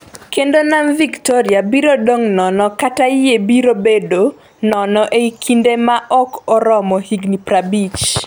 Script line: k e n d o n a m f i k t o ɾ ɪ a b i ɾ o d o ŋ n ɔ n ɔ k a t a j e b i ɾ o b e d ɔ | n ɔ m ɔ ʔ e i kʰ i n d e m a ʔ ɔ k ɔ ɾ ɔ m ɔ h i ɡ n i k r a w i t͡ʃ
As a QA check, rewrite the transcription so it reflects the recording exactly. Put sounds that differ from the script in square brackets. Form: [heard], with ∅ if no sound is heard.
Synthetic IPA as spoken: k e n d o n a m [v] i k t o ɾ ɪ a b i ɾ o d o ŋ n ɔ n ɔ k a t a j e b i ɾ o b e d [o] | n ɔ [n] ɔ ʔ e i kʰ i n d e m a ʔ ɔ k ɔ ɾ ɔ m ɔ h i ɡ n i [p] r a [b] i t͡ʃ